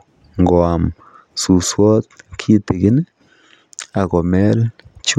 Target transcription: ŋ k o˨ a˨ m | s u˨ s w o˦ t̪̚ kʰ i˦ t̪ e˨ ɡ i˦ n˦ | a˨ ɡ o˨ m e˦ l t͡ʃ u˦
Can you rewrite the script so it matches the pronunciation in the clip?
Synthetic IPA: ŋ ɡ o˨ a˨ m | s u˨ s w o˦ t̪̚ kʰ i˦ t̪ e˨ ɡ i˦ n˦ | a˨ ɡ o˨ m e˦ l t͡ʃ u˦